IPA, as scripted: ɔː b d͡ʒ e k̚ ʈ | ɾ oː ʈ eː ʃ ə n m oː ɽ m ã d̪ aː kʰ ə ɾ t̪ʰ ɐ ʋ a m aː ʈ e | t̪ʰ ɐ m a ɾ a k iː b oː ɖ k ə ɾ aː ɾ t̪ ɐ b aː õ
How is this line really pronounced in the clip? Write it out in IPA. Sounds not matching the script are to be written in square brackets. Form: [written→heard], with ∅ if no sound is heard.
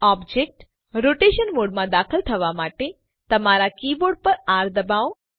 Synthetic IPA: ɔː b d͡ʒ e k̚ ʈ | ɾ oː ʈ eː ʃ ə n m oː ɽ m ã d̪ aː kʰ ə [ɾ→l] t̪ʰ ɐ ʋ a m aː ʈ e | [t̪ʰ→t̪] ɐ m a ɾ a k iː b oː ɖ [k→p] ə ɾ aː ɾ [t̪→d̪] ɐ b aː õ